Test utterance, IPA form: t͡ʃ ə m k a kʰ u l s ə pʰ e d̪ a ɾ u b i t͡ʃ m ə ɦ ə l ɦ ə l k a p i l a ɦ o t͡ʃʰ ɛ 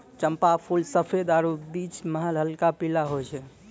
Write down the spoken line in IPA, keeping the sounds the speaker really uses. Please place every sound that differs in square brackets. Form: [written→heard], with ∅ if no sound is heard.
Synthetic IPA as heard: t͡ʃ ə m [k→p] a [kʰ→pʰ] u l s ə pʰ e d̪ a ɾ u b i t͡ʃ m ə ɦ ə l ɦ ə l k a p i l a ɦ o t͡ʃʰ ɛ